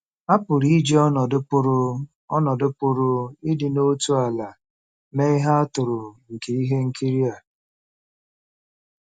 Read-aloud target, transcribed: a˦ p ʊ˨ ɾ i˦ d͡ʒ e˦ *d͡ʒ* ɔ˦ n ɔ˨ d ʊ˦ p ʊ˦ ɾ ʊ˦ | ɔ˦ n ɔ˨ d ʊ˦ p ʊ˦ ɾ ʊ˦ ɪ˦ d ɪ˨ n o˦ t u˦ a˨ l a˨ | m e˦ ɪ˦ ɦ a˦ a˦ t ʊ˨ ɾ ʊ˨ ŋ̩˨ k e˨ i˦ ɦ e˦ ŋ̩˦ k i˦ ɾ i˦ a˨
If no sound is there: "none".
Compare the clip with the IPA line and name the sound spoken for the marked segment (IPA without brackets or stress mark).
none